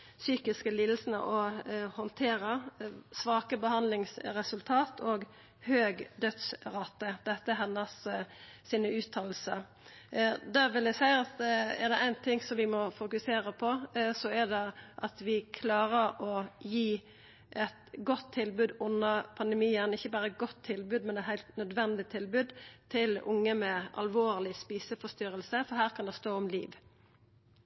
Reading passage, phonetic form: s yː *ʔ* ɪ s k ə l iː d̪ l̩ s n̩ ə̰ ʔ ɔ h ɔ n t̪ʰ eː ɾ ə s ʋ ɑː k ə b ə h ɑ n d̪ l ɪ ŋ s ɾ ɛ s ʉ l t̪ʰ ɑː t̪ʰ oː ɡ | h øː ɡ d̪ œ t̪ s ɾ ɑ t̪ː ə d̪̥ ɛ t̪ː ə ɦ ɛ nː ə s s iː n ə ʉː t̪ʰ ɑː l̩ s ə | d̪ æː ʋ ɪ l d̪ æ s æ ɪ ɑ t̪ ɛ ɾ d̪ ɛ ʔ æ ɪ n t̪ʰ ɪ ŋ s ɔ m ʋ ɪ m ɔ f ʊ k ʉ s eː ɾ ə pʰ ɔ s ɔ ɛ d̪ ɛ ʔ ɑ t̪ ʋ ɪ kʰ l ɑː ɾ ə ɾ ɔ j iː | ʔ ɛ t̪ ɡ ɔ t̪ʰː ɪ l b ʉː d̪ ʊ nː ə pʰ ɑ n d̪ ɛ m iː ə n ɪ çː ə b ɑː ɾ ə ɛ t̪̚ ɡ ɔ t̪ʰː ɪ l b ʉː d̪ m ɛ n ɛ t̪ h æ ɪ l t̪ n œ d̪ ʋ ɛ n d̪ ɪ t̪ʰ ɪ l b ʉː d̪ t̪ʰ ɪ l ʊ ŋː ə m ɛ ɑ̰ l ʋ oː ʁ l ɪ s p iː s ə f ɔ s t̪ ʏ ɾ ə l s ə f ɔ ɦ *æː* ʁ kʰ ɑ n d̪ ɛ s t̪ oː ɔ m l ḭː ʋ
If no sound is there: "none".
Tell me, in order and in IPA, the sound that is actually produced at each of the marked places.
k, æː

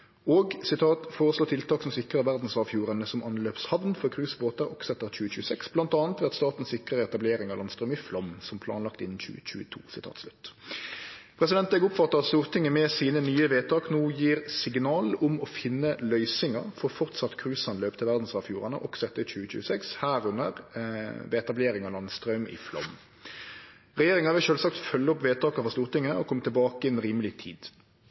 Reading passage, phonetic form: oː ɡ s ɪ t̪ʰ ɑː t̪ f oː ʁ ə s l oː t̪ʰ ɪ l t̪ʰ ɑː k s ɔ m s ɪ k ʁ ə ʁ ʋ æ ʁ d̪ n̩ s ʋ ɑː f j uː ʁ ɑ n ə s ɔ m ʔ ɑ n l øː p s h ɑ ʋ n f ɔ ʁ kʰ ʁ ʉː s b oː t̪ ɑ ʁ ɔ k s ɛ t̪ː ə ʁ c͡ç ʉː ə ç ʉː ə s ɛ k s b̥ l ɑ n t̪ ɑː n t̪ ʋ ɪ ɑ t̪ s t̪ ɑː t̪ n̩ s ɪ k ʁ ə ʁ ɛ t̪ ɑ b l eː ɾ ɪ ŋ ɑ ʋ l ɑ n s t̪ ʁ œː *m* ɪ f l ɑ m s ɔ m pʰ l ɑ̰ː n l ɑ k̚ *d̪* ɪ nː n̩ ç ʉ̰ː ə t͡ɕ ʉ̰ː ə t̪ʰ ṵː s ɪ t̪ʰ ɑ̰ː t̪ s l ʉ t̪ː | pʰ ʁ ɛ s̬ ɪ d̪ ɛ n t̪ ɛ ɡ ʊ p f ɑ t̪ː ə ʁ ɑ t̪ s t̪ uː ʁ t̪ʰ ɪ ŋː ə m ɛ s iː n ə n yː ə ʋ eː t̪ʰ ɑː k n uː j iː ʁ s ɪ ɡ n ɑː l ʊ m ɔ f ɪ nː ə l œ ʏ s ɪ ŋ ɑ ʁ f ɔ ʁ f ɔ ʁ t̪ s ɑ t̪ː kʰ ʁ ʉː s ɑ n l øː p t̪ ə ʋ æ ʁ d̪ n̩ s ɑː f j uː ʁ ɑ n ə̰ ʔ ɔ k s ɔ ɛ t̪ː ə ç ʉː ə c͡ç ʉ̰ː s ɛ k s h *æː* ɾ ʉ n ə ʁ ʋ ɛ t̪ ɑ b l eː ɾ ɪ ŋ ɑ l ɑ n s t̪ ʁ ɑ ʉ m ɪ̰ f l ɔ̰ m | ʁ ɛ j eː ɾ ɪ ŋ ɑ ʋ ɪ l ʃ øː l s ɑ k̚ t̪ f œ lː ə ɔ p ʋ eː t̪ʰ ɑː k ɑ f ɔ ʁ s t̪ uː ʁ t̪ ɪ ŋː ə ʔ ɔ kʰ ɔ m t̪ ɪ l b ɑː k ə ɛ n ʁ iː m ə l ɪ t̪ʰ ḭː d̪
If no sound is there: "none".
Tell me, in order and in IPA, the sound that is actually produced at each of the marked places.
m, t̪, æː

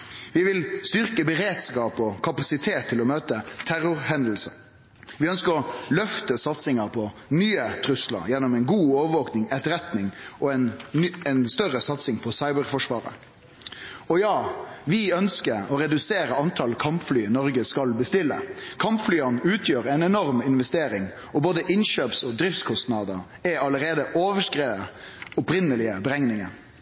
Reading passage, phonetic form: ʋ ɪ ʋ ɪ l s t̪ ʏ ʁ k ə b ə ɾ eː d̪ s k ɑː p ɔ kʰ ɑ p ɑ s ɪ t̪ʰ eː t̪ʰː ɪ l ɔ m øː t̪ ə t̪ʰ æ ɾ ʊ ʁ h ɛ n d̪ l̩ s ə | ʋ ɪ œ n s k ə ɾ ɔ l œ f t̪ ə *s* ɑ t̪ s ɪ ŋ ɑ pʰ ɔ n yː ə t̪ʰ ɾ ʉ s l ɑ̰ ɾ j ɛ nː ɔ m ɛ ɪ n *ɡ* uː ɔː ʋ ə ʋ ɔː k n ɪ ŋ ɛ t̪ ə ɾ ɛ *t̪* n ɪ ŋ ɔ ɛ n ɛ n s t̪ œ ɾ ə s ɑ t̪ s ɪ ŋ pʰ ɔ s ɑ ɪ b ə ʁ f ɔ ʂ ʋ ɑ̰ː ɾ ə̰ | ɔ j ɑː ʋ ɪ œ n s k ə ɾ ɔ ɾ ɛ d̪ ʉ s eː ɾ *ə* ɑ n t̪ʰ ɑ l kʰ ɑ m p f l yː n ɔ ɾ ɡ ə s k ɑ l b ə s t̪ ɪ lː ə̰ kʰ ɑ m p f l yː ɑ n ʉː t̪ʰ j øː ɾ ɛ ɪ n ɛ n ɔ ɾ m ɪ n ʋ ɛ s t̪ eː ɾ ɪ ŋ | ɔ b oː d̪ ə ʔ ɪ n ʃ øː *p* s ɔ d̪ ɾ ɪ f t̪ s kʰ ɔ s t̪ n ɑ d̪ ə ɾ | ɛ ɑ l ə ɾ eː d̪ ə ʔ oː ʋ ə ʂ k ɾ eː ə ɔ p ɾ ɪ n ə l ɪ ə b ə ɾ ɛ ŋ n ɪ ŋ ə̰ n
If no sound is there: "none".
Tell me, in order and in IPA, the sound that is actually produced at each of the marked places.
s, ɡ, t̪, ə, p

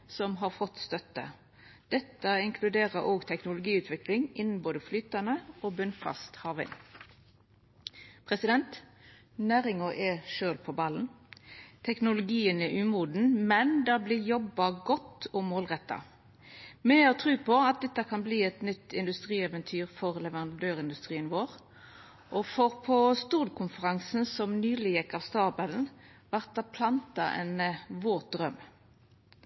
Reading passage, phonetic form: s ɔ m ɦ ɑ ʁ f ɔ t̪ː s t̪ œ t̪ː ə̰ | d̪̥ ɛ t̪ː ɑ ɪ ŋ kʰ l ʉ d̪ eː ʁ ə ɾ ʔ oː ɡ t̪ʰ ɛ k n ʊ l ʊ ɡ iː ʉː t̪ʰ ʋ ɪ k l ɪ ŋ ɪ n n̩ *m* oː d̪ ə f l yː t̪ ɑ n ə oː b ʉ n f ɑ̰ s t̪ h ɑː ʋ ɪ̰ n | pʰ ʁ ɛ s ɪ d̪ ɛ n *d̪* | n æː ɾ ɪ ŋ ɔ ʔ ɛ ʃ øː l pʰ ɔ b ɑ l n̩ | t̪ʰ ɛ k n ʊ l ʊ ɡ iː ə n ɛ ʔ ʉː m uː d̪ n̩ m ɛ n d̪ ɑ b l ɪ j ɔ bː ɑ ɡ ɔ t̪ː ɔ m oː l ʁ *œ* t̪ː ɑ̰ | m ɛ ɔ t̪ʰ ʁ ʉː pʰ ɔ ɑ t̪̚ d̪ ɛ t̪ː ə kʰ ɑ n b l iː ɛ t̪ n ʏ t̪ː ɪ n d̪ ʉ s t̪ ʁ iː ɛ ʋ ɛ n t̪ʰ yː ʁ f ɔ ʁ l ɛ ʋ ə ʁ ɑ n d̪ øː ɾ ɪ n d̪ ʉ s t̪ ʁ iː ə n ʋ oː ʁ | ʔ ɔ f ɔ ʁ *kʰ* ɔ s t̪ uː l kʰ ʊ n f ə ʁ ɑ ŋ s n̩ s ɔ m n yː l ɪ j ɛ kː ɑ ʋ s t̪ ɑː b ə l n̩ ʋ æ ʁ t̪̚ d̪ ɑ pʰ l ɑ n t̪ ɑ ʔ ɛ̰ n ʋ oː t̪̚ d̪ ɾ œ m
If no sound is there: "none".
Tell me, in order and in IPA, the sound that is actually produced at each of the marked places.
b, t̪, ɛ, pʰ

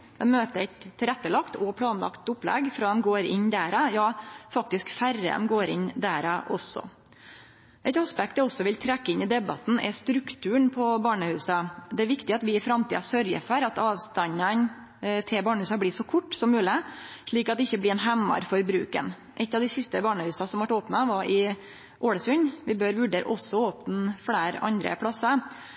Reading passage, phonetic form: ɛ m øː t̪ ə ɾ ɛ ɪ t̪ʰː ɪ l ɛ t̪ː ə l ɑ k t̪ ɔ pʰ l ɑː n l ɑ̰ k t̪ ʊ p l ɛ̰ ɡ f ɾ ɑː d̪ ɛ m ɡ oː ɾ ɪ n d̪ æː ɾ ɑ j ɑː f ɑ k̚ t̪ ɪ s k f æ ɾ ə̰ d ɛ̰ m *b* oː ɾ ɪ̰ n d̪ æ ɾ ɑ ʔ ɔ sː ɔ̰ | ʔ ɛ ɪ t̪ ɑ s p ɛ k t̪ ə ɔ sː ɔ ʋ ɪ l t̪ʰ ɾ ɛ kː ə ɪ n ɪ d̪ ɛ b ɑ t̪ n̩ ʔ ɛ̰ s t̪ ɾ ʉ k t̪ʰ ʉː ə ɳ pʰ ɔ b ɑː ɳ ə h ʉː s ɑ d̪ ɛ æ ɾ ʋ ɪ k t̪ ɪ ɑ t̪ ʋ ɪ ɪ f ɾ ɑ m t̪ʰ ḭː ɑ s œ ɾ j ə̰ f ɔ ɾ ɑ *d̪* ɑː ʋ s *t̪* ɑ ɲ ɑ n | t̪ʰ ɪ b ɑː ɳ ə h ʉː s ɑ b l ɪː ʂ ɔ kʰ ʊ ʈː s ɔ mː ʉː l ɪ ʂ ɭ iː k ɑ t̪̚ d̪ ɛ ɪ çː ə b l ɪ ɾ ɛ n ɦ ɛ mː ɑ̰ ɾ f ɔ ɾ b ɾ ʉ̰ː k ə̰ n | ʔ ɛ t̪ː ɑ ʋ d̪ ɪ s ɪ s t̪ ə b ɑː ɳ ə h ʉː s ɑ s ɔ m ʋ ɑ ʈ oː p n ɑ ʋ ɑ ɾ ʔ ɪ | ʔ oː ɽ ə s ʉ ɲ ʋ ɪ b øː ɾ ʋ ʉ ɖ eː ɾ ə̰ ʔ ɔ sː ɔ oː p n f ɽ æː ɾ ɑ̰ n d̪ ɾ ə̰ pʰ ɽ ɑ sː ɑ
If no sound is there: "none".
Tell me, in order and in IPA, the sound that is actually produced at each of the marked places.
ɡ, t̪, t̪

